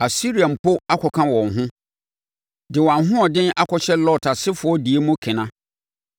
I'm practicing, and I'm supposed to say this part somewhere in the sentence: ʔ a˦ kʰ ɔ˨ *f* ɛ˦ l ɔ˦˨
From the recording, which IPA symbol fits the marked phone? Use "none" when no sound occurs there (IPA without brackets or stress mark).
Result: ɕ